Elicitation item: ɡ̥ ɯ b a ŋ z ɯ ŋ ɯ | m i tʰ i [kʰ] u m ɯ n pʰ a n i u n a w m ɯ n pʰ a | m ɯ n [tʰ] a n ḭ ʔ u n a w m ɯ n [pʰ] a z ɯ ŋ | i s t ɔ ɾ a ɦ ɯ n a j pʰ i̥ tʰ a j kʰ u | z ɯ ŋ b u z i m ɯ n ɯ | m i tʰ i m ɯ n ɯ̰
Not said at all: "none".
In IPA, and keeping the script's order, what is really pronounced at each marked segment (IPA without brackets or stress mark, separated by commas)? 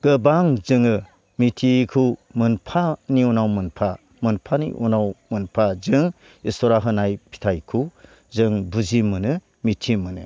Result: kʰ, pʰ, pʰ